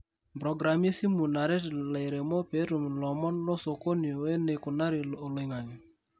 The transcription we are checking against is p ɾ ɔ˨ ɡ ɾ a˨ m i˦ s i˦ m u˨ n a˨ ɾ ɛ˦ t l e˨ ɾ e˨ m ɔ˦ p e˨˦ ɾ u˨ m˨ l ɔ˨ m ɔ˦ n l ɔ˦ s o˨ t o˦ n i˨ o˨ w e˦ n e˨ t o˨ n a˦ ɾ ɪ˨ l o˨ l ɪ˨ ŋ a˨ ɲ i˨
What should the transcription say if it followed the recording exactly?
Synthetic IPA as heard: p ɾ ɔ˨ ɡ ɾ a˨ m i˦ s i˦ m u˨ n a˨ ɾ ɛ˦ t l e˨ ɾ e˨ m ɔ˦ p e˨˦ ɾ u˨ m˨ l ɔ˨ m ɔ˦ n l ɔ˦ s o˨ k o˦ n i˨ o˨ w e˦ n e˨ k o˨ n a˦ ɾ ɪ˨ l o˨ l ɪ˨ ŋ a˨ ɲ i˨